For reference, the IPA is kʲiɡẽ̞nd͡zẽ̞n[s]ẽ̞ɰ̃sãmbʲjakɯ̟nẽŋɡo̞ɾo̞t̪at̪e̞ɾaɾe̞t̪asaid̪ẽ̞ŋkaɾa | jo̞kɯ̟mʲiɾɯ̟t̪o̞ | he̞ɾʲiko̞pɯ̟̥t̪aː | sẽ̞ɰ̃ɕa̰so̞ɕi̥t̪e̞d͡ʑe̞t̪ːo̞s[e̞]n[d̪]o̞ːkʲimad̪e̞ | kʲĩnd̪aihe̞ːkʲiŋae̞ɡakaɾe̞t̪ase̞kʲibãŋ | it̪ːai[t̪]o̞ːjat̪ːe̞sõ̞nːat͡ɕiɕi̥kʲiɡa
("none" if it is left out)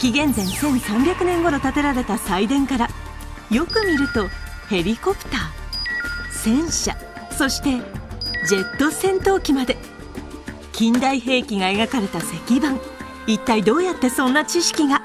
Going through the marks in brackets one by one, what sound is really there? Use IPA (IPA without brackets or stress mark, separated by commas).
s, ẽ̞, t̪, d̪